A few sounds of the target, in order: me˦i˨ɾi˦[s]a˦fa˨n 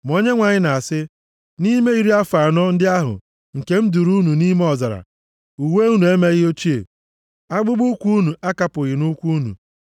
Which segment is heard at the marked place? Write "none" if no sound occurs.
none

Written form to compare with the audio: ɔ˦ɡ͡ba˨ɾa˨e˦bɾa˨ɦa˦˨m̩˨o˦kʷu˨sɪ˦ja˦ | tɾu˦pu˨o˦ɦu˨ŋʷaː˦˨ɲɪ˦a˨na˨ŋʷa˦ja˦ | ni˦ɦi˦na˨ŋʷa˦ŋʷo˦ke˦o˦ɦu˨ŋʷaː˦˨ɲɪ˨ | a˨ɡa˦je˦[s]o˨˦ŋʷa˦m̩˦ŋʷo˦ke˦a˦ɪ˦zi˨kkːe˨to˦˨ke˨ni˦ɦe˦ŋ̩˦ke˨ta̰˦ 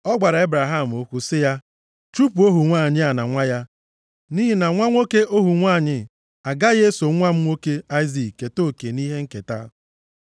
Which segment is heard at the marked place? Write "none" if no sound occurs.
s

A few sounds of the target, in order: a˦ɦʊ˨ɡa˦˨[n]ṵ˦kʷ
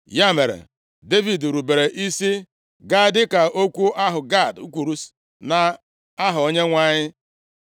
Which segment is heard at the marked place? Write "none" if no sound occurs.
d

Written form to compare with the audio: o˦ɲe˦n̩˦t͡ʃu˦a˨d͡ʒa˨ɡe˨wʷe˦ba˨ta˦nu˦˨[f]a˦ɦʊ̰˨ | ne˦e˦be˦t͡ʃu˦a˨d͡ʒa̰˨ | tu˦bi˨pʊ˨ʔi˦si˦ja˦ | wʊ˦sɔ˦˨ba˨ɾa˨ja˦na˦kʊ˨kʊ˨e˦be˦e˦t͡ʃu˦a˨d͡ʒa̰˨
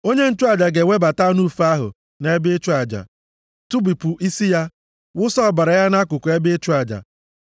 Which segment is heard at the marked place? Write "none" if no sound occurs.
f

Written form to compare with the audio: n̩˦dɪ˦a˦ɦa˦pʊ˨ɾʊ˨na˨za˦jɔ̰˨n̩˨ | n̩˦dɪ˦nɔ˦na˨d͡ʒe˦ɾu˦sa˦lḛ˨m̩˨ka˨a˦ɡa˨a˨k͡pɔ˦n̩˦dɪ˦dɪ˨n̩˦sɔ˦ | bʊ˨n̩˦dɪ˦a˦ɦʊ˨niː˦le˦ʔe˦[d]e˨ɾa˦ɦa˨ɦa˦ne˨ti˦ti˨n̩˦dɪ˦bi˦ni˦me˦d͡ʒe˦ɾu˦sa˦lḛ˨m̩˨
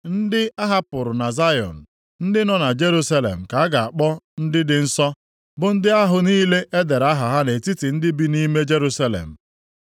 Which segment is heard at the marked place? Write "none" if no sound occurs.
d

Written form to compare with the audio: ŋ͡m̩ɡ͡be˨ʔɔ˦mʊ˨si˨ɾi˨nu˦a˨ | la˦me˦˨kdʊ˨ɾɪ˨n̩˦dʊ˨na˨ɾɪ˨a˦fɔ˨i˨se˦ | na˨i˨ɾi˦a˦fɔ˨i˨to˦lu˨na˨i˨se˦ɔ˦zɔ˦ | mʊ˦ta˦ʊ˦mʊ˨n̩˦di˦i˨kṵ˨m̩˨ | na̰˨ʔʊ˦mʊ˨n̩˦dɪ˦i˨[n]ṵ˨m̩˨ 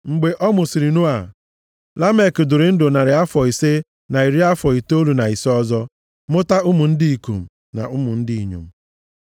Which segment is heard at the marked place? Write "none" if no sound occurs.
ɲ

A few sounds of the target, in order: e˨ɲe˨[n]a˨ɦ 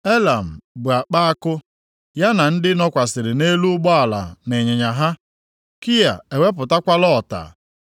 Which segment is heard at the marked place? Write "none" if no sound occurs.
ɲ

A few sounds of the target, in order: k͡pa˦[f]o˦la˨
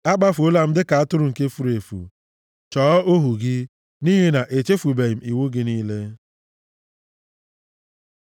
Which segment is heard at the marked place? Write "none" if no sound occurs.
f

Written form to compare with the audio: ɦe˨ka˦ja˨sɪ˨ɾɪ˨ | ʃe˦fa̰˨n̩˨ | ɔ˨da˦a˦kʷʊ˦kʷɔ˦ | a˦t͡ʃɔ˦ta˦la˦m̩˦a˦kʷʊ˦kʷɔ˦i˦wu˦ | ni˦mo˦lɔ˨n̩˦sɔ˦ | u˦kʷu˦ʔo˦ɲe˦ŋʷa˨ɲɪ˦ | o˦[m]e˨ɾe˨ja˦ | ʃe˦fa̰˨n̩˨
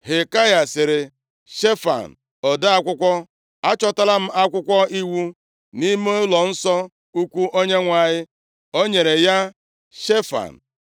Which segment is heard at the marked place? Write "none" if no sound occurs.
ɲ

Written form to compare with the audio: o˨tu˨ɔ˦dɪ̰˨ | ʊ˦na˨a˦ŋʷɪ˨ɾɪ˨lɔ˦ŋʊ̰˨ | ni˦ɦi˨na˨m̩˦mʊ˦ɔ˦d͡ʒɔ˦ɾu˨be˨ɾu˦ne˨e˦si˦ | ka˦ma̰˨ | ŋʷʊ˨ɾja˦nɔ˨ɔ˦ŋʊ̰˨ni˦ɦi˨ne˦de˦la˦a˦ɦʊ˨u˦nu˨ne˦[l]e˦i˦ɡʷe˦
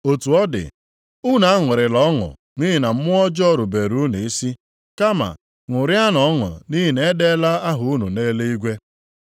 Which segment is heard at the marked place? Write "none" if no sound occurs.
l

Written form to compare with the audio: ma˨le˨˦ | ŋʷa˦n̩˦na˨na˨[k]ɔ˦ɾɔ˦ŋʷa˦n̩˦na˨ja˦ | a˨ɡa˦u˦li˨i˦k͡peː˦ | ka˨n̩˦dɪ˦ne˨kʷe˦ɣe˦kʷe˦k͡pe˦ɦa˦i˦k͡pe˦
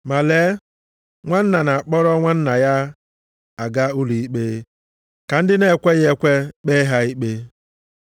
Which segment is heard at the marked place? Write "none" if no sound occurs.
k͡p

